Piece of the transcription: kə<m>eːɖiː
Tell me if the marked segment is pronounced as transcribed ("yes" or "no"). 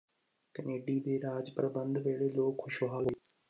no